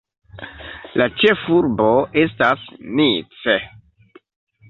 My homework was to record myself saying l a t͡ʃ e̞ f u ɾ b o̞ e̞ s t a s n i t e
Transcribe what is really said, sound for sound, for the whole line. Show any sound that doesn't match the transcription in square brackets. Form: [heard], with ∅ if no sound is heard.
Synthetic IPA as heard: l a t͡ʃ e̞ f u ɾ b o̞ e̞ s t a s n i [t͡s] e